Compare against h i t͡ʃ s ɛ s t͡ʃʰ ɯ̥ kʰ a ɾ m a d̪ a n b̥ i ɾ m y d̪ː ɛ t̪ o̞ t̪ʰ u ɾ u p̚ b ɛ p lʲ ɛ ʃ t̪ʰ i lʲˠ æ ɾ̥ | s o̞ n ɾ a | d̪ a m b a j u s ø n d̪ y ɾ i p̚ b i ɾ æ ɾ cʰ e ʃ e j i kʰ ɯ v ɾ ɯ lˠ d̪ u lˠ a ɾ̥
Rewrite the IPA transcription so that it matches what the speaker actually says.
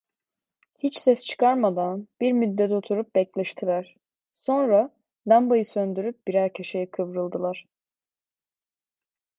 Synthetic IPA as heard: h i t͡ʃ s ɛ s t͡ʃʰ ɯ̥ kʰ a ɾ m a d̪ a n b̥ i ɾ m y d̪ː ɛ t̪ o̞ t̪ʰ u ɾ u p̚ b ɛ c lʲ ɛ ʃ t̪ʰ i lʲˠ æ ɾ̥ | s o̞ n ɾ a | d̪ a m b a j ɯ s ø n d̪ y ɾ y p̚ b i ɾ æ ɾ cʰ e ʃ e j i kʰ ɯ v ɾ ɯ lˠ d̪ ɯ lˠ a ɾ̥